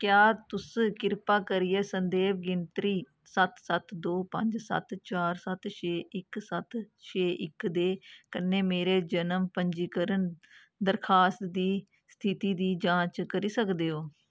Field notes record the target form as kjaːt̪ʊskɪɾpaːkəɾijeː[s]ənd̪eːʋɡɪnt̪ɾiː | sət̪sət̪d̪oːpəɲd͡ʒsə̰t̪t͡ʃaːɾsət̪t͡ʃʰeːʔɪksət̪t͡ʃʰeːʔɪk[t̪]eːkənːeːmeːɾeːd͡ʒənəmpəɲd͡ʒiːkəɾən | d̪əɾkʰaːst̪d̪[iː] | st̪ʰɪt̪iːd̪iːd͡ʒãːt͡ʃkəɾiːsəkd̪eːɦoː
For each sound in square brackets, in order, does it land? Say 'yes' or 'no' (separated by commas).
yes, no, yes